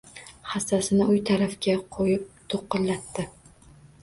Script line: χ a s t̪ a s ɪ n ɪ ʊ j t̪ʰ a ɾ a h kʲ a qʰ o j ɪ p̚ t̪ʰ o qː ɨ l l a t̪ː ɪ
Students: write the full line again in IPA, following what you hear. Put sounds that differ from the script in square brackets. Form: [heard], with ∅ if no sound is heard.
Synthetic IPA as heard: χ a s t̪ a s ɪ n ɪ ʊ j t̪ʰ a ɾ a [f] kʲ a qʰ o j ɪ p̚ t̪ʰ o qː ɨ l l a t̪ː ɪ